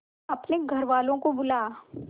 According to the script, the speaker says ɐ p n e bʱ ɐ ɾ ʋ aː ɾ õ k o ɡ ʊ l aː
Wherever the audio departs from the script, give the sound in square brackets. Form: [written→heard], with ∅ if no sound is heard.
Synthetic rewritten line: ɐ p n e [bʱ→ɡʱ] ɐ ɾ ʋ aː [ɾ→l] õ k o [ɡ→b] ʊ l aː

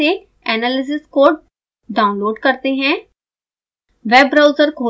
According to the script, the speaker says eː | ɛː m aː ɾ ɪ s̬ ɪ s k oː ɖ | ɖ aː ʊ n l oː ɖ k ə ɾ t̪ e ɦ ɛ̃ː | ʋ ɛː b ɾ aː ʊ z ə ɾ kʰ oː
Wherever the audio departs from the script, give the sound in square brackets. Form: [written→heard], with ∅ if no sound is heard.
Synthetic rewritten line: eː | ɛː [m→n] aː [ɾ→l] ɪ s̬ ɪ s k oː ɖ | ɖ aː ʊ n l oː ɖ k ə ɾ t̪ e ɦ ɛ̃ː | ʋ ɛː b ɾ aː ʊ z ə ɾ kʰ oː

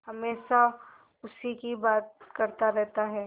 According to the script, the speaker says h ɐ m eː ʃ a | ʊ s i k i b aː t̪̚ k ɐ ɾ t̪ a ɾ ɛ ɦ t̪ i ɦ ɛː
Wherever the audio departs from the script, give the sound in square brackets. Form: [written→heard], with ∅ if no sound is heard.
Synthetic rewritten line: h ɐ m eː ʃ a | ʊ s i k i b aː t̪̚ k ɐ ɾ t̪ a ɾ ɛ ɦ t̪ [i→a] ɦ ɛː

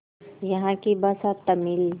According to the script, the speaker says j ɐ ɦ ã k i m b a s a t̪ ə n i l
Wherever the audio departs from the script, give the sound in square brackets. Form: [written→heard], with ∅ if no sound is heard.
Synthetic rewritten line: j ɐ ɦ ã k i [m→∅] b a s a t̪ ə [n→m] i l

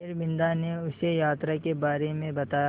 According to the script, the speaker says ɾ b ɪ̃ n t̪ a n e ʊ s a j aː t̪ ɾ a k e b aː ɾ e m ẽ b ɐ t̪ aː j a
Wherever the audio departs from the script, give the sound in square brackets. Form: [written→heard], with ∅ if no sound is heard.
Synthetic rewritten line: ɾ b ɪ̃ n [t̪→d̪] a n e ʊ s [a→e] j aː t̪ ɾ a k e b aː ɾ e m ẽ b ɐ t̪ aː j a

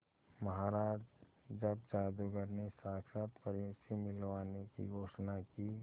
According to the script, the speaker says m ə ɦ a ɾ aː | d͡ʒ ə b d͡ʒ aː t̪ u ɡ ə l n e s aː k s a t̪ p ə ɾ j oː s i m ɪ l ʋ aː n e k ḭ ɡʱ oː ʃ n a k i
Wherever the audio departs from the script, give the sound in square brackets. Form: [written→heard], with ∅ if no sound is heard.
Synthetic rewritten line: m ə ɦ a ɾ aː | d͡ʒ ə b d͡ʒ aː [t̪→d̪] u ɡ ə [l→ɾ] n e s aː k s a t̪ p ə ɾ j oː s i m ɪ l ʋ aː n e k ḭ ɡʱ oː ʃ n a k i

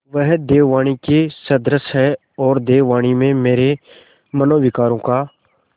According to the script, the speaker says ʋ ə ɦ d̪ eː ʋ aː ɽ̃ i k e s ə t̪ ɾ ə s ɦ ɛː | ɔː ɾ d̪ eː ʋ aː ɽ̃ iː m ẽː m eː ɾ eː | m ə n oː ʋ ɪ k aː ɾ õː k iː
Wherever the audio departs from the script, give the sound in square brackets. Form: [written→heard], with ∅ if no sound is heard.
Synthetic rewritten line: ʋ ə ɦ d̪ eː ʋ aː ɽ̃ i k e s ə [t̪→d̪] ɾ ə s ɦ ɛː | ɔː ɾ d̪ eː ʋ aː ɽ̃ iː m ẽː m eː ɾ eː | m ə n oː ʋ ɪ k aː ɾ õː k [iː→aː]

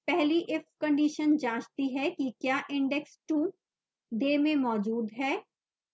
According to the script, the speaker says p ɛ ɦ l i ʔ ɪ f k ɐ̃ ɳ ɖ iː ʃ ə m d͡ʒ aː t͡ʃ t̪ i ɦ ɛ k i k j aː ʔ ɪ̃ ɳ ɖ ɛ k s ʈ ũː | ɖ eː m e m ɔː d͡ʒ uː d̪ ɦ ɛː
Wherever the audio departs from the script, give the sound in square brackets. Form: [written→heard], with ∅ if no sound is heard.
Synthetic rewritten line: p ɛ ɦ l i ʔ ɪ f k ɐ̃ ɳ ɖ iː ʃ ə [m→n] d͡ʒ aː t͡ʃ t̪ i ɦ ɛ k i k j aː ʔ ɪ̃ ɳ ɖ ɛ k s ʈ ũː | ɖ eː m [e→ẽ] m ɔː d͡ʒ uː d̪ ɦ ɛː

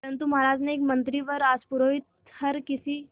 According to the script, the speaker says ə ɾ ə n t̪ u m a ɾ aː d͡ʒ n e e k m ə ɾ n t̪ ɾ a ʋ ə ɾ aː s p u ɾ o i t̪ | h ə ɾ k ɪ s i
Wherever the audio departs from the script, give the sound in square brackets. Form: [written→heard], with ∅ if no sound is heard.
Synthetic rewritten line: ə ɾ ə n t̪ u m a ɾ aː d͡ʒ n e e k m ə [ɾ→∅] n t̪ ɾ [a→i] ʋ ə ɾ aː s p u ɾ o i t̪ | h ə ɾ k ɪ s i

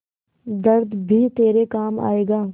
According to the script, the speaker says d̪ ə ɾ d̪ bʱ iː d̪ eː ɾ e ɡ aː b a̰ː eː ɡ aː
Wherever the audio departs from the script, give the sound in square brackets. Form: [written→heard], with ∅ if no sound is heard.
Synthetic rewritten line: d̪ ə ɾ d̪ bʱ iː [d̪→t̪] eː ɾ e [ɡ→k] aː [b→m] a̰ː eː ɡ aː

